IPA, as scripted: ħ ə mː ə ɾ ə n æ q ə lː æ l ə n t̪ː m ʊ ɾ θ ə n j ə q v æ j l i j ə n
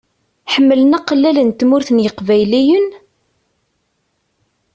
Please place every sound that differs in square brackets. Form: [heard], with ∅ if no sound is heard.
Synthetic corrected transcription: ħ ə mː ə [l] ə n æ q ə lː æ l ə n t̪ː m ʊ ɾ θ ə n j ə q v æ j l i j ə n